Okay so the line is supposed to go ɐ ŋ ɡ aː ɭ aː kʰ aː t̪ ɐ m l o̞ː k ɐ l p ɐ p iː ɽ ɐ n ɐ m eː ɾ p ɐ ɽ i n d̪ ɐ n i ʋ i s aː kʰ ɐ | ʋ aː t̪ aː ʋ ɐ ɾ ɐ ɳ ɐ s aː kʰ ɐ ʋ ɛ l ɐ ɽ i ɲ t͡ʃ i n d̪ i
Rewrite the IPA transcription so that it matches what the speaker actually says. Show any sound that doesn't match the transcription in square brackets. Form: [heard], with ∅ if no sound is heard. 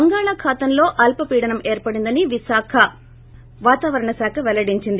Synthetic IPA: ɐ ŋ ɡ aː ɭ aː kʰ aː t̪ ɐ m l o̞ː [ʔ] ɐ l p ɐ p iː ɽ ɐ n ɐ m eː ɾ p ɐ ɽ i n d̪ ɐ n i ʋ i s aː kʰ ɐ | ʋ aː t̪ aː ʋ ɐ ɾ ɐ ɳ ɐ s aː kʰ ɐ ʋ ɛ l ɐ ɽ i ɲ t͡ʃ i n d̪ i